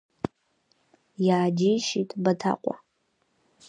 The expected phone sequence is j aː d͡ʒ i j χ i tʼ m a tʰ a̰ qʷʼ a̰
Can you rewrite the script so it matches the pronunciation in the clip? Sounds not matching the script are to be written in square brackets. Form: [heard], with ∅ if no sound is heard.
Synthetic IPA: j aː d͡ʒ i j [ʃ] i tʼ [b] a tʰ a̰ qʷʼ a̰